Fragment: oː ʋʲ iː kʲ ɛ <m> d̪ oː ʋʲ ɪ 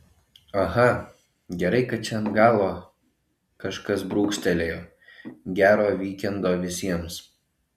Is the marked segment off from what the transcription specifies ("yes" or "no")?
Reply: yes